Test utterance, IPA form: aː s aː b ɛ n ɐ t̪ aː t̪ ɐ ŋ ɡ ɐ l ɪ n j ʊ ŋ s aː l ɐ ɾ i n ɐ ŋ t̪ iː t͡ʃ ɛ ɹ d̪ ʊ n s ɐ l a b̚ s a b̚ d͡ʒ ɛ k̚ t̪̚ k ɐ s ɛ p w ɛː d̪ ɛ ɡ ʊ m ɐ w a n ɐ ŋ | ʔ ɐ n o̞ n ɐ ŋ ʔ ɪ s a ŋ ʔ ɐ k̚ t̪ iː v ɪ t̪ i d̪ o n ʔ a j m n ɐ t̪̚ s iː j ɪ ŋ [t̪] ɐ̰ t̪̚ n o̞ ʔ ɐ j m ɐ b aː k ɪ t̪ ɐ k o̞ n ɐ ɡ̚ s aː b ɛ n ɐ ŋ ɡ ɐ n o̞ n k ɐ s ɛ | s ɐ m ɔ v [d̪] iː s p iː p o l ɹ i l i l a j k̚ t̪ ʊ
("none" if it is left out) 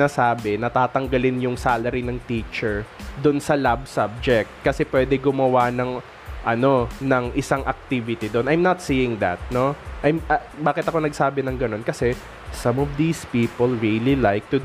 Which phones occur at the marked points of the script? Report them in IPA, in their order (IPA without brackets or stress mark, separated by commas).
d̪, d̪